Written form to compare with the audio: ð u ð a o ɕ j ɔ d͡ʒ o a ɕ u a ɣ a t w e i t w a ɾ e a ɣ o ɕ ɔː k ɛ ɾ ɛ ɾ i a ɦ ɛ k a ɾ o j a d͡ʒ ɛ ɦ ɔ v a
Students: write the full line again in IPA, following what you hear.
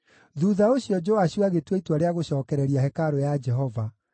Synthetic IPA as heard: ð u ð a o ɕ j ɔ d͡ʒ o a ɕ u a ɣ e t w e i t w a ɾ e a ɣ o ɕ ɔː k ɛ ɾ ɛ ɾ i a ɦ ɛ k a ɾ o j a d͡ʒ ɛ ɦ ɔ v a